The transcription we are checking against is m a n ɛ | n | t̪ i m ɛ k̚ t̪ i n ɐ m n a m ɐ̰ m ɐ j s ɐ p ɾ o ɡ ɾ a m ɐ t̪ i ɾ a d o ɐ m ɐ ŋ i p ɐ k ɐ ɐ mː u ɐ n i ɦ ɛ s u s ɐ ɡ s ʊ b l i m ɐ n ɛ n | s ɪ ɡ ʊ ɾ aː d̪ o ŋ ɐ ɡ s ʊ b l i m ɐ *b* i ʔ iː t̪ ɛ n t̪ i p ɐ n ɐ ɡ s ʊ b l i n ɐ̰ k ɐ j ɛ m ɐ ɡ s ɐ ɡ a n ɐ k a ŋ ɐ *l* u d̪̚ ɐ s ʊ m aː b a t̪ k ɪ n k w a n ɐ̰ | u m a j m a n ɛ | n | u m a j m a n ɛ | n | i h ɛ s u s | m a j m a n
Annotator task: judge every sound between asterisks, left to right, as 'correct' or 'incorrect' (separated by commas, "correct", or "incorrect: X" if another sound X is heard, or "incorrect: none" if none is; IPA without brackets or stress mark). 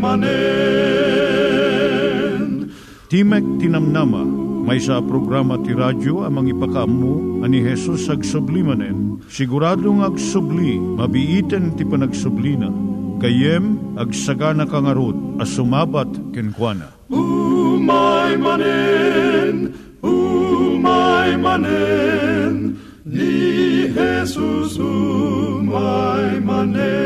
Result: correct, incorrect: ɾ